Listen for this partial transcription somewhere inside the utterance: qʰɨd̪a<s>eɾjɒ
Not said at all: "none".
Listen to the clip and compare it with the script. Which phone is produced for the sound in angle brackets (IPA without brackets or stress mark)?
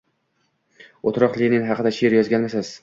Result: ʃ